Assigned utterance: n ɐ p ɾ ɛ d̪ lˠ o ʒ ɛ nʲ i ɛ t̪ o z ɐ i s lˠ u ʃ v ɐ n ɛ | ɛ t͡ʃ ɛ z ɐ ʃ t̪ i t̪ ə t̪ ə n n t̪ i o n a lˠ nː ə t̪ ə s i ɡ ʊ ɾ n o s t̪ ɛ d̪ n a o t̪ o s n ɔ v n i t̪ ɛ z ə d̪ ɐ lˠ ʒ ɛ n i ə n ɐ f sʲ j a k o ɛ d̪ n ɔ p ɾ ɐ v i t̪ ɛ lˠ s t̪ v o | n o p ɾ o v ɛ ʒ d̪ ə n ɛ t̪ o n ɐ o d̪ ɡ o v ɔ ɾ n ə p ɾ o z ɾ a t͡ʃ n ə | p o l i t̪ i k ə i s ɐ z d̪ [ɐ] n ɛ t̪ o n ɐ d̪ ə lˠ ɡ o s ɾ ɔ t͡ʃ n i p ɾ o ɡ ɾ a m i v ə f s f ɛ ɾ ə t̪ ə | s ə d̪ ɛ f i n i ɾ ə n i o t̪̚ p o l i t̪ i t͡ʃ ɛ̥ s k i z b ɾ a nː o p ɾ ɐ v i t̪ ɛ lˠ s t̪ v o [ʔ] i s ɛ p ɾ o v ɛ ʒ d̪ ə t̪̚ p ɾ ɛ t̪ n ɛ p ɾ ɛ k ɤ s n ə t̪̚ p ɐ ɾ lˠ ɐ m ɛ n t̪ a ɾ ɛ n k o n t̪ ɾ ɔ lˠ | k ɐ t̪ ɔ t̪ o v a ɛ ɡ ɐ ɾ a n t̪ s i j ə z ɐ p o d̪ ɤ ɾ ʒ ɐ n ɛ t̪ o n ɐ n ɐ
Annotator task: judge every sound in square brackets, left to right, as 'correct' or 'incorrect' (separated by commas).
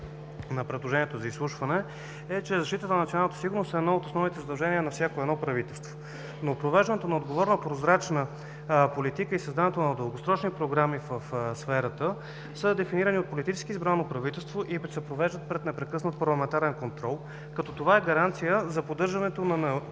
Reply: incorrect, correct